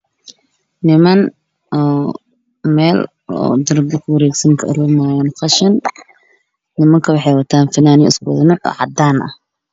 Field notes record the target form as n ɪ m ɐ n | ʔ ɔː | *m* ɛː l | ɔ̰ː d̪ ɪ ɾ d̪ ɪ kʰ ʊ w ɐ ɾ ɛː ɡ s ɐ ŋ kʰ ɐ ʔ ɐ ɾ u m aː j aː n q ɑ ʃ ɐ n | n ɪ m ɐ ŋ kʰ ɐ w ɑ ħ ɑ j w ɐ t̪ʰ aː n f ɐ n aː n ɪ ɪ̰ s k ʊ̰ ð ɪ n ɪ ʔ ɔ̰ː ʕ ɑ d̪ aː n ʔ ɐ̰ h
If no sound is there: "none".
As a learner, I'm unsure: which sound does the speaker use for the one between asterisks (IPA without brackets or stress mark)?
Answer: m